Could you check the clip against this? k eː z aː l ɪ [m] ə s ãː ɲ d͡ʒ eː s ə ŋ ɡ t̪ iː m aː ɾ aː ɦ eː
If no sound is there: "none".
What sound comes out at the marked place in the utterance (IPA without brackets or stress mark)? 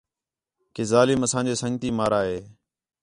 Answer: m